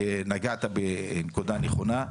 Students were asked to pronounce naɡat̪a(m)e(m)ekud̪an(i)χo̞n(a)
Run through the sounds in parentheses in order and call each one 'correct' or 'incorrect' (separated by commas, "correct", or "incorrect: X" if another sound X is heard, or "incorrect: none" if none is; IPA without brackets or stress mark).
incorrect: b, incorrect: n, incorrect: e, correct